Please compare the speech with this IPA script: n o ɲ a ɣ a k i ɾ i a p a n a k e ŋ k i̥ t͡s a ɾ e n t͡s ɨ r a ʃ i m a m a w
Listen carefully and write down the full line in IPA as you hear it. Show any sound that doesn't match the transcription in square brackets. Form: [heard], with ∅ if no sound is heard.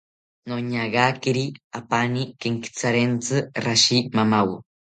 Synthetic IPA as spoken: n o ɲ a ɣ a k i ɾ i a p a n [i] k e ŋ k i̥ t͡s a ɾ e n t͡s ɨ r a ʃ i m a m a w